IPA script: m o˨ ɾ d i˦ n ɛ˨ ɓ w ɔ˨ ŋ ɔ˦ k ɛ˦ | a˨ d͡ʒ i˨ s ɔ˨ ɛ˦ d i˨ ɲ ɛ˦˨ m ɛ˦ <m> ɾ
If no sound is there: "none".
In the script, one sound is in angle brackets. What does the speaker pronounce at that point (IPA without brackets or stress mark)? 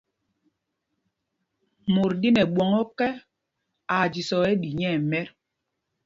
none